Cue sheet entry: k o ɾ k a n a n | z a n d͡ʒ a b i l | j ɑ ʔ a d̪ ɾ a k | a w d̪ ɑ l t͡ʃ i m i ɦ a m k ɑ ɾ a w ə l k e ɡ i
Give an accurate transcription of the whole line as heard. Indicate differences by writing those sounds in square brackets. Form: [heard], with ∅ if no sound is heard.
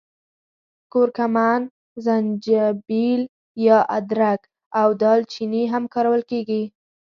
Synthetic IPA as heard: k o ɾ k a [m] a n | z a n d͡ʒ a b i l | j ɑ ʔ a d̪ ɾ a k | a w d̪ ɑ l t͡ʃ i [n] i ɦ a m k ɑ ɾ a w ə l k e ɡ i